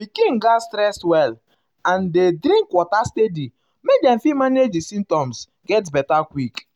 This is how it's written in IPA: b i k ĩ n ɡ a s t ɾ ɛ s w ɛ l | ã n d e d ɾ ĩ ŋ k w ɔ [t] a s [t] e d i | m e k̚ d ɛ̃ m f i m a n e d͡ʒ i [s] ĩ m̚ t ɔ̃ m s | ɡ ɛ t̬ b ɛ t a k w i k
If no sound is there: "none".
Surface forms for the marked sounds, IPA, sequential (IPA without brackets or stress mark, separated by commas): t, t, s